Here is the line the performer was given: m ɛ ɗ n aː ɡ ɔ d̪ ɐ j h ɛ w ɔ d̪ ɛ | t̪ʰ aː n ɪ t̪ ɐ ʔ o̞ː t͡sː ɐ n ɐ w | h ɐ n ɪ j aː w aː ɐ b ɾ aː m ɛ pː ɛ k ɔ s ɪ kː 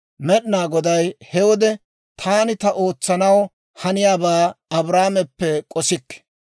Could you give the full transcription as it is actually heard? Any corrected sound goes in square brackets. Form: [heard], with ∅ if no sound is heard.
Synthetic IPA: m ɛ ɗ n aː ɡ ɔ d̪ ɐ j h ɛ w ɔ d̪ ɛ | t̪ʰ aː n ɪ t̪ ɐ ʔ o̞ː t͡sː ɐ n ɐ w | h ɐ n ɪ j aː [b] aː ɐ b ɾ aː m ɛ pː ɛ [kʼ] ɔ s ɪ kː